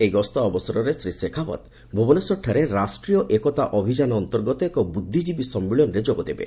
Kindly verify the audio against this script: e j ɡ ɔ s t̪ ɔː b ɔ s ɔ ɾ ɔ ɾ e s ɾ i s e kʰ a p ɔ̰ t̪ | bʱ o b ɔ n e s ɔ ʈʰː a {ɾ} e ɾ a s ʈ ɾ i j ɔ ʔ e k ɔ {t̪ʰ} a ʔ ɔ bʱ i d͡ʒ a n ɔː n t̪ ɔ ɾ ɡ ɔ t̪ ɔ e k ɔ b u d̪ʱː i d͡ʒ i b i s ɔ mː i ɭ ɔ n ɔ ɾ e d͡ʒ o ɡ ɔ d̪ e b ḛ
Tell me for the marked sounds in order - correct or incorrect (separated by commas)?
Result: correct, incorrect